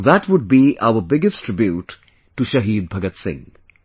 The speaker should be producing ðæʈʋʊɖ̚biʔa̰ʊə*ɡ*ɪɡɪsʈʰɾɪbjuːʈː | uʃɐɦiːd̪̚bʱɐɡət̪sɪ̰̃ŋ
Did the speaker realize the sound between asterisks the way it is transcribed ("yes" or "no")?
no